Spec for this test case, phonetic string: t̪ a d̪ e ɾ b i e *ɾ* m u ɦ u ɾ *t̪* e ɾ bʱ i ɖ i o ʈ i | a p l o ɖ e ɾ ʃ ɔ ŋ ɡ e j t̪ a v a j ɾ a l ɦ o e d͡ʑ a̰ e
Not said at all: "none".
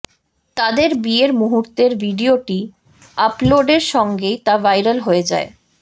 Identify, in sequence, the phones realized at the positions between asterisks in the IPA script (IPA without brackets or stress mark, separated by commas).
ɾ, t̪